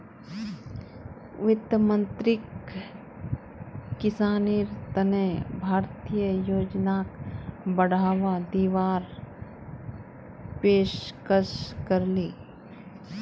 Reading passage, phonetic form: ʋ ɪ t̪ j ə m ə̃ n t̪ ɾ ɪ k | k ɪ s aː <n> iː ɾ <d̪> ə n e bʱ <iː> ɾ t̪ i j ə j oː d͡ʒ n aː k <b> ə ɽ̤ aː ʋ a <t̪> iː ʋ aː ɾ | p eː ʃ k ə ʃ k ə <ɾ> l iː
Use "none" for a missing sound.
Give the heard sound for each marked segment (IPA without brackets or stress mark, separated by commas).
n, t̪, aː, b, d̪, ɾ